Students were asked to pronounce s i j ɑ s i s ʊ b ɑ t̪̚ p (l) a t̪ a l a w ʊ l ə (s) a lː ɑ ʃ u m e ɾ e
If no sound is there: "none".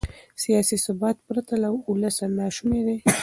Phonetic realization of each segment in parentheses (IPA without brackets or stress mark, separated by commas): ɾ, s